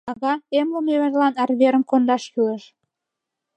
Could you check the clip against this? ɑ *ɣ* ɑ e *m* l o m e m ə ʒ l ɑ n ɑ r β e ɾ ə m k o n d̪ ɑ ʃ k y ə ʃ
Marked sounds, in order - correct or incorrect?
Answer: correct, correct

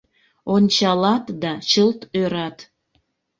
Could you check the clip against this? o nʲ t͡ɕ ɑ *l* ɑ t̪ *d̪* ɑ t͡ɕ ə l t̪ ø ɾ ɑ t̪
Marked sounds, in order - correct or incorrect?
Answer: correct, correct

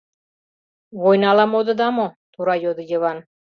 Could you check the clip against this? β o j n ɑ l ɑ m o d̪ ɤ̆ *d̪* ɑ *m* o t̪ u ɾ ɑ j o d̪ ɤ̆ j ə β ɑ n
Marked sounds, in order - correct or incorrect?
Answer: correct, correct

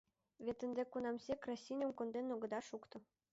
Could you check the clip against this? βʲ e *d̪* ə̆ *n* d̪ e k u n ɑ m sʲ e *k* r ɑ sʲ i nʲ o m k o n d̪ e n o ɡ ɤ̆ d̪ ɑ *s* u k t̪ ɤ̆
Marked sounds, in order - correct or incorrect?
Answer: incorrect: t̪, correct, correct, incorrect: ʃ

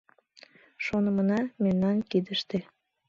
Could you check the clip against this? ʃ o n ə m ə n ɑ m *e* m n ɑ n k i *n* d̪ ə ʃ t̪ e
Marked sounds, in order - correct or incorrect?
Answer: correct, incorrect: none

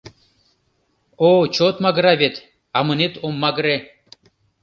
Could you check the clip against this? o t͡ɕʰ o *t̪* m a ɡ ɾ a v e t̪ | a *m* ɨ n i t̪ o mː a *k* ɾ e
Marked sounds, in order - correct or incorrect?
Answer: correct, correct, incorrect: ɡ

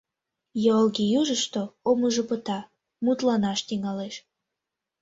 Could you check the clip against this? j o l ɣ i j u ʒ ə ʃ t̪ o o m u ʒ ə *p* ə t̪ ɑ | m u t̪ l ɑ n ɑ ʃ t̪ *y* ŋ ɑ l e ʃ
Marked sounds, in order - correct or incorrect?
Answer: correct, incorrect: i

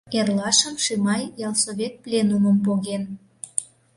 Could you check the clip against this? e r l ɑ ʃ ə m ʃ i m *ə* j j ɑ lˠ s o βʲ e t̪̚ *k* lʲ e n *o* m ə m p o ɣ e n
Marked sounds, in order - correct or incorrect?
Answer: incorrect: ɑ, incorrect: p, incorrect: u

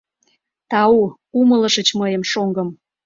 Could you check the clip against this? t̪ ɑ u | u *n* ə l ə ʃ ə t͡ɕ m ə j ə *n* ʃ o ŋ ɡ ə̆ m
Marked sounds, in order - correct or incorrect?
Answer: incorrect: m, incorrect: m

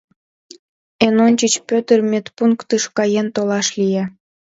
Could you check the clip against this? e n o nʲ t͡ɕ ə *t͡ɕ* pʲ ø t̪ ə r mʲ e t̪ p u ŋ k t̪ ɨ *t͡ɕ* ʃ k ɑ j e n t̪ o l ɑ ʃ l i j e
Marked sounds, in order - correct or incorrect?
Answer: correct, incorrect: none

